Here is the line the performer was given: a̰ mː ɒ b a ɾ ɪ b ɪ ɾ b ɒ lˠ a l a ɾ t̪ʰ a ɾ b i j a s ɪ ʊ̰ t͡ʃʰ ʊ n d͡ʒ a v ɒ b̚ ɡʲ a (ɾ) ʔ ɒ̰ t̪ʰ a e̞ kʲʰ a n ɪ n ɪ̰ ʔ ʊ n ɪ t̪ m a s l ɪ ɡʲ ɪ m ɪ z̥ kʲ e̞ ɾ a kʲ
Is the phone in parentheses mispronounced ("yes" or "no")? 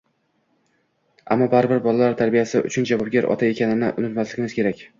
no